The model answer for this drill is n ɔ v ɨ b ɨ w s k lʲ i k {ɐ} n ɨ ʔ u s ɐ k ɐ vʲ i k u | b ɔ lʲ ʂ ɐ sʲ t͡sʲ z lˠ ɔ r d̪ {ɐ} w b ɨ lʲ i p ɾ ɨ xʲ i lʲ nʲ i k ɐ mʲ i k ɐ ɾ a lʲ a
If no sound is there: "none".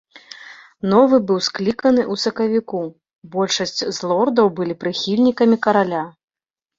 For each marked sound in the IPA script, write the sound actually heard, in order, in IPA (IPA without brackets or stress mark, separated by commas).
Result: ɐ, ɐ